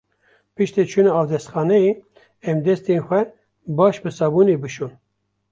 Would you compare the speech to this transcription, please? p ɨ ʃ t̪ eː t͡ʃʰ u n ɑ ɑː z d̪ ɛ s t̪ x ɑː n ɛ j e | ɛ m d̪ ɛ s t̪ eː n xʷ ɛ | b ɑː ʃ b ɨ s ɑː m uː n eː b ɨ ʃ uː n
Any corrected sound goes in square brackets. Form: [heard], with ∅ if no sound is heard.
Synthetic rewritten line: p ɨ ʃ t̪ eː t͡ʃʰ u n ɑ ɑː [v] d̪ ɛ s t̪ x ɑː n ɛ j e | ɛ m d̪ ɛ s t̪ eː n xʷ ɛ | b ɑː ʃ b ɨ s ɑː [b] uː n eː b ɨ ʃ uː n